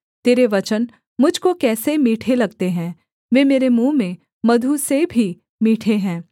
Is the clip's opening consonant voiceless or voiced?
voiceless